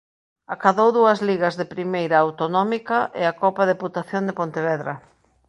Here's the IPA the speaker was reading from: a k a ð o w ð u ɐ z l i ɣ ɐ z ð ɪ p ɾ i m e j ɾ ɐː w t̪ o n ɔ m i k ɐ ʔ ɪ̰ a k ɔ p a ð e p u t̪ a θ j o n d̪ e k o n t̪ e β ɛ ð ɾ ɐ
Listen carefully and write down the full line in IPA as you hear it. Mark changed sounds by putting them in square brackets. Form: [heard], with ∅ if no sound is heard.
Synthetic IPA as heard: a k a ð o w ð u ɐ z l i ɣ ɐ z ð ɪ p ɾ i m e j ɾ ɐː w t̪ o n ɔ m i k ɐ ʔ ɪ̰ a k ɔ p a ð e p u t̪ a θ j o n d̪ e [p] o n t̪ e β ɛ ð ɾ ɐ